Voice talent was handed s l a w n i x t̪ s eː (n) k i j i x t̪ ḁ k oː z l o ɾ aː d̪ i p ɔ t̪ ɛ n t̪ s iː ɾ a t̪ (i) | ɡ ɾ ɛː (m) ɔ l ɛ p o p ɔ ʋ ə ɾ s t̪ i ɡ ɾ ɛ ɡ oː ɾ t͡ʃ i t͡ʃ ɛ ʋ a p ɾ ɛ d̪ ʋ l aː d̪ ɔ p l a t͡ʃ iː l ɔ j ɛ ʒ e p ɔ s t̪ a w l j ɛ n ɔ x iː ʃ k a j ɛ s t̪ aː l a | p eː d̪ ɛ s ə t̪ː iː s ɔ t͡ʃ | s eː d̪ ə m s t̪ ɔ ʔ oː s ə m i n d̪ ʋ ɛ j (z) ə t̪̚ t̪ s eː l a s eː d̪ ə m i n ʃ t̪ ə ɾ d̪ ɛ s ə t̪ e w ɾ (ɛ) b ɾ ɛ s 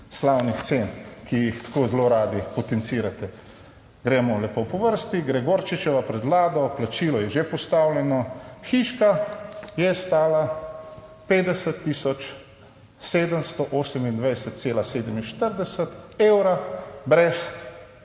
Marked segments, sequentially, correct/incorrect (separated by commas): correct, incorrect, correct, incorrect, incorrect